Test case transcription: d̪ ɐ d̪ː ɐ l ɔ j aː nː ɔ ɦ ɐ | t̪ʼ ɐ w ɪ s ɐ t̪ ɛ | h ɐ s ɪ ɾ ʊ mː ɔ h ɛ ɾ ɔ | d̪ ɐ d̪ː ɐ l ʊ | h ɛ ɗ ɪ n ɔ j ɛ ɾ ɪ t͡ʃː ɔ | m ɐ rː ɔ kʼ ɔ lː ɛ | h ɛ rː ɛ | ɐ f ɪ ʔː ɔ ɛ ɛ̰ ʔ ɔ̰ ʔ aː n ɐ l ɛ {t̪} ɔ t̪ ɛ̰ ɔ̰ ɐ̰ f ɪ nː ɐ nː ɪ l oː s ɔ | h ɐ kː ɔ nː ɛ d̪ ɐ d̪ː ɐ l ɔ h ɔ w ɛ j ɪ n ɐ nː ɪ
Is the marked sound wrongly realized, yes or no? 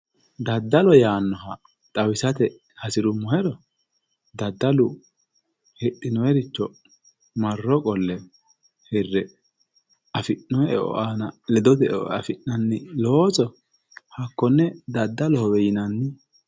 yes